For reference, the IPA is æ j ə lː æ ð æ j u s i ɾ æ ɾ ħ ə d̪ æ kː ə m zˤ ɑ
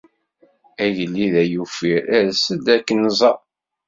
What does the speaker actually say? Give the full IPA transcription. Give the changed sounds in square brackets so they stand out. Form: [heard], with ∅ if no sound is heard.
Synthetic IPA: æ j ə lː [i] ð æ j u [f] i ɾ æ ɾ [s] ə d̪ æ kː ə [n] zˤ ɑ